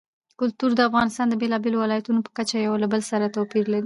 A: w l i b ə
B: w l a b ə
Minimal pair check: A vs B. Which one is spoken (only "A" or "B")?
B